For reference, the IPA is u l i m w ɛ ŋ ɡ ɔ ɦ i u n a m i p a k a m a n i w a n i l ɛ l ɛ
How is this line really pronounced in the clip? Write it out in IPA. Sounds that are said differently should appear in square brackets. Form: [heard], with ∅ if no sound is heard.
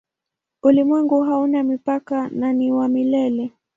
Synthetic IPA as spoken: u l i m w ɛ ŋ ɡ [u] ɦ [a] u n a m i p a k a [n] a n i w a [m] i l ɛ l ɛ